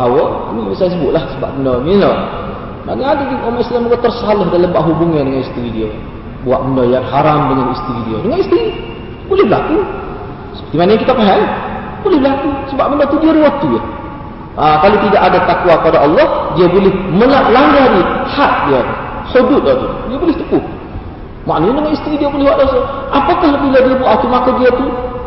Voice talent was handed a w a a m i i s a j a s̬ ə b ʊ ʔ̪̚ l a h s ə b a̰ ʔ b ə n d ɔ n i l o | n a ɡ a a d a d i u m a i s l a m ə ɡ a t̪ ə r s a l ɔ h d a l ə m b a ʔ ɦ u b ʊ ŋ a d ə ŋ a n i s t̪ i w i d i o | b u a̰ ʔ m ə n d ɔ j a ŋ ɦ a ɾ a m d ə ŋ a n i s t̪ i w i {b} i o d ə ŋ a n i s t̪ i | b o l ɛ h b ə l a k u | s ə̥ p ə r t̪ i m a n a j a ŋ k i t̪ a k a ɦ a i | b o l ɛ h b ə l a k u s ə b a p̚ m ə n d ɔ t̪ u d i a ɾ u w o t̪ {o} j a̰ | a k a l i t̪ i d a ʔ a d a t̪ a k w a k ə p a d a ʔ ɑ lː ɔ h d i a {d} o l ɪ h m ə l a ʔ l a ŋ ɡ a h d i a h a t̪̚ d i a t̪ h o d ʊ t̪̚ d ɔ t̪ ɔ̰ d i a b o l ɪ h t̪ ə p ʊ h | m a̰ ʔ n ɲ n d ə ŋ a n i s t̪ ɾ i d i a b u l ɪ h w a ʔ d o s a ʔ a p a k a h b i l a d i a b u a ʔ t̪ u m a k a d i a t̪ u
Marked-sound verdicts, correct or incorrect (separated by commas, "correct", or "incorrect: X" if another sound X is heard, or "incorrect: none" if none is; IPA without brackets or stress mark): incorrect: d, incorrect: u, incorrect: b